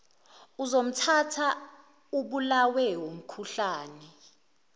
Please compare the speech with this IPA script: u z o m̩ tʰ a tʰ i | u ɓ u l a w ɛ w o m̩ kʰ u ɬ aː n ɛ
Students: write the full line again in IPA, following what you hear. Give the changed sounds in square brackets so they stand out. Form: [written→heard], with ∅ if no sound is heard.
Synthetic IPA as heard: u z o m̩ tʰ a tʰ [i→a] | u ɓ u l a w ɛ w o m̩ kʰ u ɬ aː n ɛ